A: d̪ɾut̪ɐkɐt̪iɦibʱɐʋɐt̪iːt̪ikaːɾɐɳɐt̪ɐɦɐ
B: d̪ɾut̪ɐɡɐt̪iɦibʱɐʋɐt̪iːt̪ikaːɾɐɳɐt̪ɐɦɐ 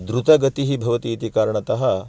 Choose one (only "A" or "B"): B